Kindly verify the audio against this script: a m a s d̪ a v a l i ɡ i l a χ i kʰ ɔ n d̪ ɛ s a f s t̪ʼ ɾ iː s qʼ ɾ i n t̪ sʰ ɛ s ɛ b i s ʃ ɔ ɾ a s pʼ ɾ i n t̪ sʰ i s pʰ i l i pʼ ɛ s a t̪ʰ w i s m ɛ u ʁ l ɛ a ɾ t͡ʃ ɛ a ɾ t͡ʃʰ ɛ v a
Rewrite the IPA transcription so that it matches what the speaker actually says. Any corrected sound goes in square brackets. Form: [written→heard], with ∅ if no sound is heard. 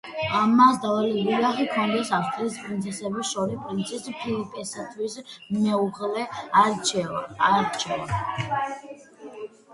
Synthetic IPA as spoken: a m a s d̪ a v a l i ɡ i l a χ i kʰ ɔ n d̪ ɛ s a f s t̪ʼ ɾ iː s [qʼ→pʼ] ɾ i n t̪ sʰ ɛ s ɛ b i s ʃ ɔ ɾ [a→i] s pʼ ɾ i n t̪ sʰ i s pʰ i l i pʼ ɛ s a t̪ʰ w i s m ɛ u ʁ l ɛ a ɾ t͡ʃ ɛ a ɾ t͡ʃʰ ɛ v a